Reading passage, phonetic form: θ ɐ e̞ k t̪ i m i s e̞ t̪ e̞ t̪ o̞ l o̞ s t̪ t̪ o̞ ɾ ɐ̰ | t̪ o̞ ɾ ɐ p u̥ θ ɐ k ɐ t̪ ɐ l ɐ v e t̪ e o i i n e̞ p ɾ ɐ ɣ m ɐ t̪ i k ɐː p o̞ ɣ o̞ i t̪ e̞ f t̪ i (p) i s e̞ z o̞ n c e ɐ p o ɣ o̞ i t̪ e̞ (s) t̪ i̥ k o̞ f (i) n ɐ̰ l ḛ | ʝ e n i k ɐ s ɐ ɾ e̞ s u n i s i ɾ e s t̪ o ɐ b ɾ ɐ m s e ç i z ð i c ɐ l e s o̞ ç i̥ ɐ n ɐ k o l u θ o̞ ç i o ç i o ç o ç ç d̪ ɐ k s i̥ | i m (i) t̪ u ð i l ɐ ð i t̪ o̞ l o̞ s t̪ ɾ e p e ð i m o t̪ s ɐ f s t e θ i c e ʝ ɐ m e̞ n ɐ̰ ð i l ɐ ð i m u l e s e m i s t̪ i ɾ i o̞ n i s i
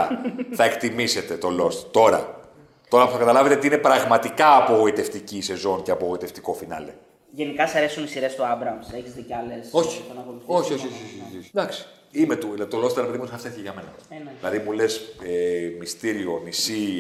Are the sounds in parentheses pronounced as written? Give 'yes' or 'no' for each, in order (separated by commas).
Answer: no, no, yes, no